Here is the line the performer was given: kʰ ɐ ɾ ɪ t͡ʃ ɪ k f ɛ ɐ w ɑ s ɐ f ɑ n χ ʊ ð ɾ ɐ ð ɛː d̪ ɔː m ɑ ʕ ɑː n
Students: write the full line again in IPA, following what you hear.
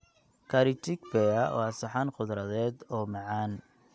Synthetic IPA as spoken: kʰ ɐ ɾ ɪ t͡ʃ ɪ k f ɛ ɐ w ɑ s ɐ ħ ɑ n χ ʊ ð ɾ ɐ ð ɛː d̪ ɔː m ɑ ʕ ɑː n